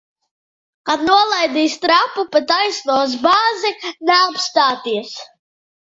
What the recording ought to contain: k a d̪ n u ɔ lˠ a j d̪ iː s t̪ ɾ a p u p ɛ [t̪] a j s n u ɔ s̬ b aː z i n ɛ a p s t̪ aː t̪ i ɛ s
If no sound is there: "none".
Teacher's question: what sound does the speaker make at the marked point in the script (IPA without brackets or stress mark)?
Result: t̪